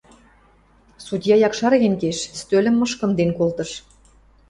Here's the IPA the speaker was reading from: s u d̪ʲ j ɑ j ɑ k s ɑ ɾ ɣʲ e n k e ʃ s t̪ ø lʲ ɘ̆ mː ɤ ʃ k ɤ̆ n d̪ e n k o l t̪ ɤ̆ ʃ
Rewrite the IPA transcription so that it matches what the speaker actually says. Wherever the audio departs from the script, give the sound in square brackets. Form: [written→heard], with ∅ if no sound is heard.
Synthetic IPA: s u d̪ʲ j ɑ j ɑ k [s→ʃ] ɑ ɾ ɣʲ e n k e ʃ s t̪ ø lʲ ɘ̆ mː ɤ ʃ k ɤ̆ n d̪ e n k o l t̪ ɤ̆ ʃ